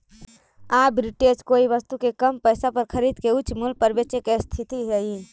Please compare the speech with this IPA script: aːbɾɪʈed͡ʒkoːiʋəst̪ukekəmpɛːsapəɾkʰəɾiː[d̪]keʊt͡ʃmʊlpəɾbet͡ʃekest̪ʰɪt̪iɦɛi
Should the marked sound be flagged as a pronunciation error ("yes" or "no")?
no